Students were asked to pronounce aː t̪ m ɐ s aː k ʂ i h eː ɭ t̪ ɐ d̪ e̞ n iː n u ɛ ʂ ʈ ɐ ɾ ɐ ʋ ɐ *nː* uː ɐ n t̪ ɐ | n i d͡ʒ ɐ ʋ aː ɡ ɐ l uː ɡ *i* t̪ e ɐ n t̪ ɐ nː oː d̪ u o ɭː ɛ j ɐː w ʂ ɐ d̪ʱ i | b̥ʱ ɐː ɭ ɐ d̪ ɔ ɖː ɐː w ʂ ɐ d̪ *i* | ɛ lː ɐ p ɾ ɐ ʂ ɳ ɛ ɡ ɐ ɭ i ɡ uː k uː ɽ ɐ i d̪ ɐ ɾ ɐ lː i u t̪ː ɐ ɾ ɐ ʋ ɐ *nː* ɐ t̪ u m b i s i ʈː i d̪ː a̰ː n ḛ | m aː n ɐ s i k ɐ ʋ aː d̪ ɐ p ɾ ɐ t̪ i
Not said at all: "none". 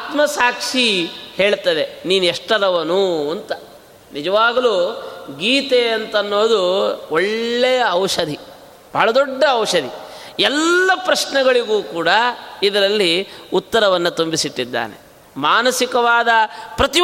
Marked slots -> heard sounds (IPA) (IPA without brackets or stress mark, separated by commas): n, iː, i, nː